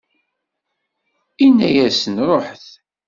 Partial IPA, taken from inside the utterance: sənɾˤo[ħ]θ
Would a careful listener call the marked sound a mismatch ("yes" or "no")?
no